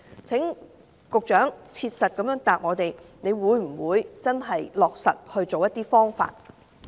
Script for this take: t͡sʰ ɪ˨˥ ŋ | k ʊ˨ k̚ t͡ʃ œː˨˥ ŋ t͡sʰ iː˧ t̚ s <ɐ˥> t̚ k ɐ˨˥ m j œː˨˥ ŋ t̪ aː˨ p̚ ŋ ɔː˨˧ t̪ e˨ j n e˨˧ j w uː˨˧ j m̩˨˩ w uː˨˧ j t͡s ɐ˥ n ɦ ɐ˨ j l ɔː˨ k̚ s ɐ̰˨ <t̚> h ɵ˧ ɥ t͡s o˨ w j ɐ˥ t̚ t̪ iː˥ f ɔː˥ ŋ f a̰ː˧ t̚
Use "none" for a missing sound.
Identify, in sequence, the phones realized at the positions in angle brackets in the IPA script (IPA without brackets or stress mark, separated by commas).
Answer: ɐ˨, t̚